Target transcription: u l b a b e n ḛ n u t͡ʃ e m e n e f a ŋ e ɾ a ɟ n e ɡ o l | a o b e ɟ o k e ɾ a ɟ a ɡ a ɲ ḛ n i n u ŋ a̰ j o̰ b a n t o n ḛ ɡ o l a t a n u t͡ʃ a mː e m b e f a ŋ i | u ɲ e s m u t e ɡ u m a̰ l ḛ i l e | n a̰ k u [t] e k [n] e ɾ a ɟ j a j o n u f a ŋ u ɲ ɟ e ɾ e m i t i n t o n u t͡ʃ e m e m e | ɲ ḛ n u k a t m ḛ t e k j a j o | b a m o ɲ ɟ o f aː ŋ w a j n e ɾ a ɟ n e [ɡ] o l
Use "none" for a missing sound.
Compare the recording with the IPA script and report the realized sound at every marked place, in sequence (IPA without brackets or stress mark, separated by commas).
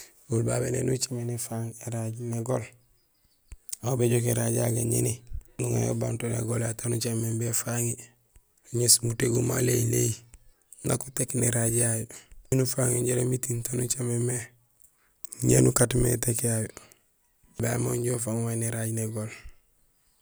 t, n, ɡ